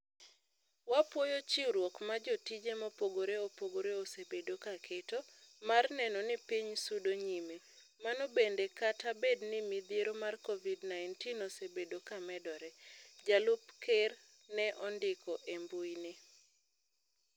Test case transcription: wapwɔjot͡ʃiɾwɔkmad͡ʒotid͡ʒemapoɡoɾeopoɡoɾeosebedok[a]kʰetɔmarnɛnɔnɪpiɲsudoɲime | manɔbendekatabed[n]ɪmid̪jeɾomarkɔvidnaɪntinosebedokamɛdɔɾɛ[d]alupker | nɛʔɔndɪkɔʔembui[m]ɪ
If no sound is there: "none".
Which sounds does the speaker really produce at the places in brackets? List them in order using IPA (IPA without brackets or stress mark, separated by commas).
a, n, d͡ʒ, n